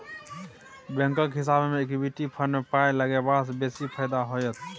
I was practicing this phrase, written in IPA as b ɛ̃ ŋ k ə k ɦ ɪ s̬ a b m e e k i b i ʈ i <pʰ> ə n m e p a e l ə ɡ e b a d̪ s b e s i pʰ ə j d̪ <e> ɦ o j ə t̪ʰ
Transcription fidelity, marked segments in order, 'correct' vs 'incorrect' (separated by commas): correct, incorrect